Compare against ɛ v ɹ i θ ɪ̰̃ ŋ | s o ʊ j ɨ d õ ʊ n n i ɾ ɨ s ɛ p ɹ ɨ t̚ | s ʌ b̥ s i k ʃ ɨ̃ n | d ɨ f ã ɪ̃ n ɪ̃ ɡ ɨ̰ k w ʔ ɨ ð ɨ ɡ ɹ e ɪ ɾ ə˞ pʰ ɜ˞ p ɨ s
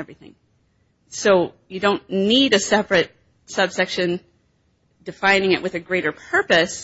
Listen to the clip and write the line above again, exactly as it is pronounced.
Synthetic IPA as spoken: ɛ v ɹ i θ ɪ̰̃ ŋ | s o ʊ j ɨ d õ ʊ̃ n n i ɾ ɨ s ɛ p ɹ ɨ t̚ | s ʌ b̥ s ɛ k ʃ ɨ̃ n | d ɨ f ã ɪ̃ n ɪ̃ ŋ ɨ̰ ʔ w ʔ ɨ ð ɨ ɡ ɹ e ɪ ɾ ə˞ pʰ ɜ˞ p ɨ s

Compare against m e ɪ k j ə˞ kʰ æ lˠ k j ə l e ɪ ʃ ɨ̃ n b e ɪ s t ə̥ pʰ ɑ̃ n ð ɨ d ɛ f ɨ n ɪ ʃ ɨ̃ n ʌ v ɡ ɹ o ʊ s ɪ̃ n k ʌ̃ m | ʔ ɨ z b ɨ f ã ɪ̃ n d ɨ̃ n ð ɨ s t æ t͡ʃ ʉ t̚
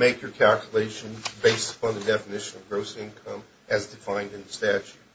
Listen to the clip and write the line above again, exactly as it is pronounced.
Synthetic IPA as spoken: m e ɪ k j ə˞ kʰ æ lˠ k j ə l e ɪ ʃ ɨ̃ n b e ɪ s t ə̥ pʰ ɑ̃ n ð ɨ d ɛ f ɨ n ɪ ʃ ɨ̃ n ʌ v ɡ ɹ o ʊ s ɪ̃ n kʰ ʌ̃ m | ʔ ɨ z d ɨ f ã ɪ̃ n d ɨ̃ n ð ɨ s t æ t͡ʃ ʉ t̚

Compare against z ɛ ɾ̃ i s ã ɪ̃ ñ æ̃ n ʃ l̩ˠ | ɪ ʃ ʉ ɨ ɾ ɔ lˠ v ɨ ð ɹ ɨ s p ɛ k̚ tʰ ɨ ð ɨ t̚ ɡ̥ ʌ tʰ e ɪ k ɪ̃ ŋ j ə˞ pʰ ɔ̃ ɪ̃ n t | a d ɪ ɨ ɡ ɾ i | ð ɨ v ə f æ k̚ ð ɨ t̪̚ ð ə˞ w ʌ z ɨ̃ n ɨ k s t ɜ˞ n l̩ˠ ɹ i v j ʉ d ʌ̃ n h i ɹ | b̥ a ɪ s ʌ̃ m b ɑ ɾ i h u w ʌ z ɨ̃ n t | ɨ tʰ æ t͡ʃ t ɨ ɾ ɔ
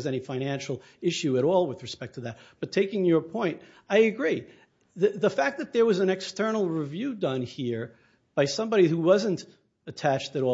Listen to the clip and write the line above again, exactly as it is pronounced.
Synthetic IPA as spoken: z ɛ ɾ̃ i f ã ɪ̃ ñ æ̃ n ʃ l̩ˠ | ɪ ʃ ʉ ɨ ɾ ɔ lˠ w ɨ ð ɹ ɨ s p ɛ k̚ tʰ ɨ ð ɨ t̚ b̥ ʌ tʰ e ɪ k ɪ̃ ŋ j ə˞ pʰ ɔ̃ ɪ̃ n t | a ɪ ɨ ɡ ɹ i | ð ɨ ð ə f æ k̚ ð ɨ t̪̚ ð ə˞ w ʌ z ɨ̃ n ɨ k s t ɜ˞ n l̩ˠ ɹ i v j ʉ d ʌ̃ n h i ɹ | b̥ a ɪ s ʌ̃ m b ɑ ɾ i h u w ʌ z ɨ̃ n t | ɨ tʰ æ t͡ʃ t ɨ ɾ ɔ

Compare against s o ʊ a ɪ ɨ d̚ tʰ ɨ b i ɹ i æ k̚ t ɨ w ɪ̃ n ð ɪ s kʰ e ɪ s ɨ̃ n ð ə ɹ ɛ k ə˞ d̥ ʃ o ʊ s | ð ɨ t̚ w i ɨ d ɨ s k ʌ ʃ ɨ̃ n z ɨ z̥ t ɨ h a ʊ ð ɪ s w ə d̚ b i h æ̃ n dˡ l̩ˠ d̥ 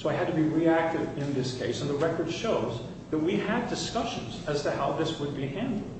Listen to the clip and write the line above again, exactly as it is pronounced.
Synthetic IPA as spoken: s o ʊ a ɪ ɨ d̚ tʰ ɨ b i ɹ i æ k̚ t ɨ v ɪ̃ n ð ɪ s kʰ e ɪ s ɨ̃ n ð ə ɹ ɛ k ə˞ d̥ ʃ o ʊ z | ð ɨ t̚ w i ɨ d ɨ s k ʌ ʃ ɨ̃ n z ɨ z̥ t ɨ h a ʊ ð ɪ s w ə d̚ b i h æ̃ n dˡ l̩ˠ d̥

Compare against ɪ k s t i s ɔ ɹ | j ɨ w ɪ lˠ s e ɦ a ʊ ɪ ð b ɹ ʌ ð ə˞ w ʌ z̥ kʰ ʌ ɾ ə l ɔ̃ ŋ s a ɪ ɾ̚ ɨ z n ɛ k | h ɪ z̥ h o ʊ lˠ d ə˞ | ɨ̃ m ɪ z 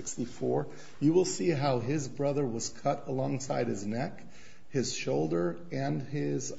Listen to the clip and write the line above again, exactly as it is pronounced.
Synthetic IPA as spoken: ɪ k s t i f ɔ ɹ | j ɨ w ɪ lˠ s i ɦ a ʊ ɪ z b ɹ ʌ ð ə˞ w ʌ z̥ kʰ ʌ ɾ ə l ɔ̃ ŋ s a ɪ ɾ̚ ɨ z n ɛ k | h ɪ z̥ ʃ o ʊ lˠ d ə˞ | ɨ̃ n ɪ z

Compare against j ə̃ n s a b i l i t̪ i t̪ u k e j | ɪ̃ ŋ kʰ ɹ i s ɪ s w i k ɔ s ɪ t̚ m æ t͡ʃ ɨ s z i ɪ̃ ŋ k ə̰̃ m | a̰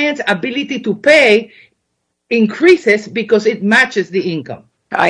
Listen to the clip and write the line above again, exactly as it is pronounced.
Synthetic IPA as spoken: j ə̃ n s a b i l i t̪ i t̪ u p e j | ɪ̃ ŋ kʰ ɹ i s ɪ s b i k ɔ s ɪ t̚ m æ t͡ʃ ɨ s ð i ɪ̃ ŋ k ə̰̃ m | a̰

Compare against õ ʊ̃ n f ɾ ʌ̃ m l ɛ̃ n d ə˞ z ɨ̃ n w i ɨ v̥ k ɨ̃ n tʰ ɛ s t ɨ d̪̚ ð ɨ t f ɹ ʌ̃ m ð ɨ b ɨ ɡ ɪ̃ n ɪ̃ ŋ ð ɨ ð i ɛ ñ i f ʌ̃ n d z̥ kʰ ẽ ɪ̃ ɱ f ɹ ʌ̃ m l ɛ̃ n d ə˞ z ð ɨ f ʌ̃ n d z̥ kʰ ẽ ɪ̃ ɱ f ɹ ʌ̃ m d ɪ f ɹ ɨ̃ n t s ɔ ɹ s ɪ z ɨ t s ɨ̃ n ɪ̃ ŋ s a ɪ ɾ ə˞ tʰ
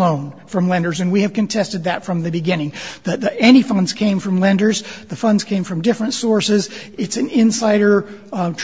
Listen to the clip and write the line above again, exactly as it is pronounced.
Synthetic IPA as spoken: õ ʊ̃ n f ɹ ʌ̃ m l ɛ̃ n d ə˞ z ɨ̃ n w i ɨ v̥ k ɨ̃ n tʰ ɛ s t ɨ d̪̚ ð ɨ t f ɹ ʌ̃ m ð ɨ b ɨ ɡ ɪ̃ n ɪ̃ ŋ ð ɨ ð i ɛ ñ i f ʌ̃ n d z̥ kʰ ẽ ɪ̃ ɱ f ɹ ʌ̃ m l ɛ̃ n d ə˞ z ð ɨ f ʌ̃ n d z̥ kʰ ẽ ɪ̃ ɱ f ɹ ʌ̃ m d ɪ f ɹ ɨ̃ n t s ɔ ɹ s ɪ z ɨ t s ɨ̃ n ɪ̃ n s a ɪ ɾ ə˞ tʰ

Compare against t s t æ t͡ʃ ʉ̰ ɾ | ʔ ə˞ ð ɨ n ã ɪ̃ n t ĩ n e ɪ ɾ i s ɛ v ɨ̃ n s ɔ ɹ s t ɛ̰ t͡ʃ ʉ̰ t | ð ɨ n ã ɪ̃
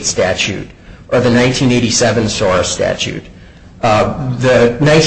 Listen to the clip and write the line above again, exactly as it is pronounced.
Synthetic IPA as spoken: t s t æ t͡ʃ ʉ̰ ɾ | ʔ ə˞ ð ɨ n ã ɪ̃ n tʰ ĩ n e ɪ ɾ i s ɛ v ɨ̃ n s ɔ ɹ s t æ̰ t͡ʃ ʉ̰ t | ð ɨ n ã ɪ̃

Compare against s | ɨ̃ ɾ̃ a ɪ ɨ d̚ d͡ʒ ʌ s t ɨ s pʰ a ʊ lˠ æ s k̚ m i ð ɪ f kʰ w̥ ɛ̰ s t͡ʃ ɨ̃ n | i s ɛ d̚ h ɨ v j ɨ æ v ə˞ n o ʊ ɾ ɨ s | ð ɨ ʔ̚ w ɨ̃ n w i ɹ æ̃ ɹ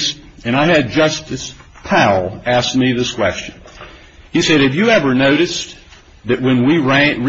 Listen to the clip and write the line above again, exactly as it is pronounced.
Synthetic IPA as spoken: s | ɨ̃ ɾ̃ a ɪ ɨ d̚ d͡ʒ ʌ s t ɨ s pʰ a ʊ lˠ æ s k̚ m i ð ɪ s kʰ w̥ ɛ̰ s t͡ʃ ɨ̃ n | i s ɛ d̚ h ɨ v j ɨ ɛ v ə˞ n o ʊ ɾ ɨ s | ð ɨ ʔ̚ w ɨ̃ n w i ɹ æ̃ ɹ

